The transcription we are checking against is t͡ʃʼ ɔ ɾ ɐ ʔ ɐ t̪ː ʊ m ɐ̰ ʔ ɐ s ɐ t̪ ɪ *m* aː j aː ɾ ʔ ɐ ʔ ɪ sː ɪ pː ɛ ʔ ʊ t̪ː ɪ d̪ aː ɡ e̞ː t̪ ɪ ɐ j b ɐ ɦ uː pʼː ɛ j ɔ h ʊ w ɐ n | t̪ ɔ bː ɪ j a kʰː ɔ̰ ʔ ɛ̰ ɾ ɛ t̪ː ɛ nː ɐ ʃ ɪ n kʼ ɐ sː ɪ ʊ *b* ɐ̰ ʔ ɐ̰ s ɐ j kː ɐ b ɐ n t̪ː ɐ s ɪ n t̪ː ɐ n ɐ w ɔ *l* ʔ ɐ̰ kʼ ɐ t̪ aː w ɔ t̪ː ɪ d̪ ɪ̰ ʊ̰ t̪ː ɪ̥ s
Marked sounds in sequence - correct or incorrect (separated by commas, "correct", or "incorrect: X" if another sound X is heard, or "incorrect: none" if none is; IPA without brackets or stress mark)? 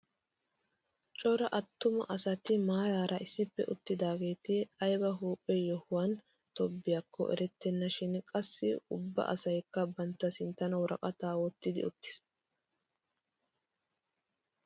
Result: correct, incorrect: bː, incorrect: ɾ